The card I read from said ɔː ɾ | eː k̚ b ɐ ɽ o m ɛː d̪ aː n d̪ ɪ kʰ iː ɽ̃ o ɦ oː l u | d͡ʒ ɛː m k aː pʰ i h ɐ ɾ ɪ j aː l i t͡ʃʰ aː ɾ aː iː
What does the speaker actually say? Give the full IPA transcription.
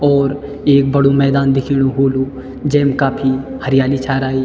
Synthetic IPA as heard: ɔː ɾ | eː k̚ b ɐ ɽ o m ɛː d̪ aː n d̪ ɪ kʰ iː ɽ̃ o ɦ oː l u | d͡ʒ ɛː m k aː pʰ i h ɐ ɾ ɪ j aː l i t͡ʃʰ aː ɾ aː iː

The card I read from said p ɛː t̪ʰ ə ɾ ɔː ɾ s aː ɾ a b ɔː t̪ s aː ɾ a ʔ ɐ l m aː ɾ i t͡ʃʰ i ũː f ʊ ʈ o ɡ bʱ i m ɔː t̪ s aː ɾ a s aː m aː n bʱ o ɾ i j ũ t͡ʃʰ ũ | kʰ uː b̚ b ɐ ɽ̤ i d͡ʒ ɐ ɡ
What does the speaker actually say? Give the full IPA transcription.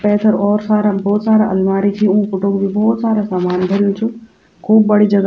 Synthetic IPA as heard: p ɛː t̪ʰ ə ɾ ɔː ɾ s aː ɾ a b ɔː t̪ s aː ɾ a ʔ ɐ l m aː ɾ i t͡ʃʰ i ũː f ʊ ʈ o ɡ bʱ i b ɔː t̪ s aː ɾ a s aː m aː n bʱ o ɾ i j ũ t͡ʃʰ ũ | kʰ uː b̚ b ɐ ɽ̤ i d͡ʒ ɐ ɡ

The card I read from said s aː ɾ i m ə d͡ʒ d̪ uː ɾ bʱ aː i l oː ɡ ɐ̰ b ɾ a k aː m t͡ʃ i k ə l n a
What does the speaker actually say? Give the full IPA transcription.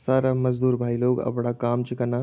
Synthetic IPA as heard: s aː ɾ a m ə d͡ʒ d̪ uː ɾ bʱ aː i l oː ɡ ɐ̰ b ɽ a k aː m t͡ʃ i k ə n a

